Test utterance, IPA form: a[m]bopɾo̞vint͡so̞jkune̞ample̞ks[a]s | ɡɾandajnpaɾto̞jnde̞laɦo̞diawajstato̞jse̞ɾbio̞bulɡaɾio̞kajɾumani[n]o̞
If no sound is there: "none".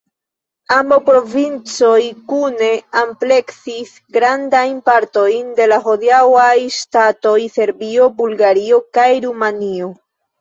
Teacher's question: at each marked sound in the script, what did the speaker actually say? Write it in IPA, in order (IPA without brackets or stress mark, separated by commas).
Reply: m, i, none